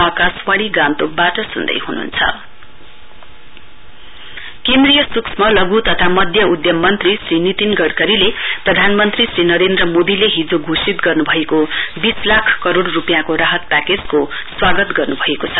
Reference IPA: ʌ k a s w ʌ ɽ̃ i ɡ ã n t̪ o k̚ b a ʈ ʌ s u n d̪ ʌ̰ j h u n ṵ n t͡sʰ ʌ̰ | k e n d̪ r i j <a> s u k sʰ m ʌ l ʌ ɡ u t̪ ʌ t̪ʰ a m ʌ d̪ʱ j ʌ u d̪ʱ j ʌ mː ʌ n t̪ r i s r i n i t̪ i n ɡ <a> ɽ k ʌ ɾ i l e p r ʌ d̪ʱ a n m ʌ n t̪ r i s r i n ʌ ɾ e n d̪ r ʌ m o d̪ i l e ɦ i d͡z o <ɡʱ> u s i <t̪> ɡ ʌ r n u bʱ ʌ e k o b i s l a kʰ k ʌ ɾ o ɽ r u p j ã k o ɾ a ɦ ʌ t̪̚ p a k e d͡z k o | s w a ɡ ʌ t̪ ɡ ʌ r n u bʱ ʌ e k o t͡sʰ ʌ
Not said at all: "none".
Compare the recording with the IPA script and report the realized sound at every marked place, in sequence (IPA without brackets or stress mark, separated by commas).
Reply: ʌ, ʌ, ɡʱ, t̪